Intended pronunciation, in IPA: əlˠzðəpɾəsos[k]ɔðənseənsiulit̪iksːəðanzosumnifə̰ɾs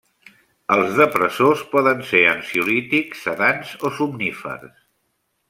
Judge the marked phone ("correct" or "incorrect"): incorrect